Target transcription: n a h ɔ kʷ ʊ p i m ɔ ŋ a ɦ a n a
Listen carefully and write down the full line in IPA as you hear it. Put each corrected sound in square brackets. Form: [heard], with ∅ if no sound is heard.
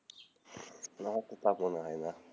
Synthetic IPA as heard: n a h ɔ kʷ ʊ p [a] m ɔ [n] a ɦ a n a